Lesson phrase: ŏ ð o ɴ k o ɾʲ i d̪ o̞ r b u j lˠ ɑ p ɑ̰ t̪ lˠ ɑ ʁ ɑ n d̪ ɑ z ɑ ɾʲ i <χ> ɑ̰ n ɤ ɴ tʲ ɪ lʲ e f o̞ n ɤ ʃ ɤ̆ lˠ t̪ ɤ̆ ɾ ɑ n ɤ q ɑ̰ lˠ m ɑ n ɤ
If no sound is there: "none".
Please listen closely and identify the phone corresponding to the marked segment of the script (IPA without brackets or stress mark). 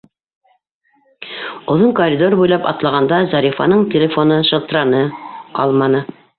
f